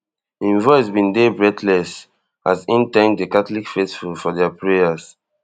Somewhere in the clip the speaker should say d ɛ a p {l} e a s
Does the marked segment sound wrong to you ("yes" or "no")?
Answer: yes